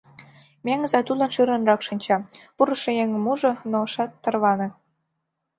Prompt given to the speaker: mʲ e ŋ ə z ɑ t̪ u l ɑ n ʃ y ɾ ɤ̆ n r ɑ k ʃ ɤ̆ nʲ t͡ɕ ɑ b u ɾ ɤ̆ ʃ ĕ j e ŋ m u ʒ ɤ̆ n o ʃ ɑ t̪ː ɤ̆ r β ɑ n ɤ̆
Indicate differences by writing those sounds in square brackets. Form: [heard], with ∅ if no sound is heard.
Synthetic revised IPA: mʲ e ŋ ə z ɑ t̪ u l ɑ n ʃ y ɾ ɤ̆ n r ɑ k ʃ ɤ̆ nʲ t͡ɕ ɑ [p] u ɾ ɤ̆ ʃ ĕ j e ŋ m u ʒ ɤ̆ n o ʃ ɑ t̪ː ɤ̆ r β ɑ n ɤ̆